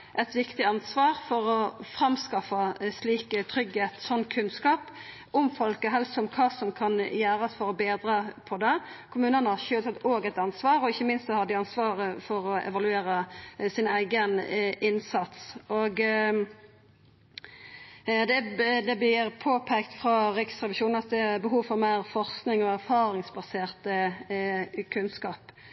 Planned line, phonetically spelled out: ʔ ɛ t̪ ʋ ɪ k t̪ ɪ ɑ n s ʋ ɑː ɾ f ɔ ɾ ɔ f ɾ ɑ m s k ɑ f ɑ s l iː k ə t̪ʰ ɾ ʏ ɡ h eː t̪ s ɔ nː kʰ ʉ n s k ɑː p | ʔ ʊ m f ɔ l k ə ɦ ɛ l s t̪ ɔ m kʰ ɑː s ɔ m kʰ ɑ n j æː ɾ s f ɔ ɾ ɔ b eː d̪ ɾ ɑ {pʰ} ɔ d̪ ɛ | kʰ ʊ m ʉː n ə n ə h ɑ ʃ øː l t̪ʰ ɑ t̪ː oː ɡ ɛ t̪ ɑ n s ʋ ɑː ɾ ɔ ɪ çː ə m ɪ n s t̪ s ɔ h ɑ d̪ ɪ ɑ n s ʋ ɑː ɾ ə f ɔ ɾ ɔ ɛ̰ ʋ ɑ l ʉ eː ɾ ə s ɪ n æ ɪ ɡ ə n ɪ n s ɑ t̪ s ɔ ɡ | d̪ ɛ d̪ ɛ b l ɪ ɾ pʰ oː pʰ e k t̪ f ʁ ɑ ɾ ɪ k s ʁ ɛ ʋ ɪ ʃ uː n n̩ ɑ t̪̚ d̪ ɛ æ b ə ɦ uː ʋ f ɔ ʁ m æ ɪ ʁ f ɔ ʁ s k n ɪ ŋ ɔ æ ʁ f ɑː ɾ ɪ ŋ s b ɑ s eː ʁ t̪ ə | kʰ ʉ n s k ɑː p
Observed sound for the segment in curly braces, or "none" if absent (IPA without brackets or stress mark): pʰ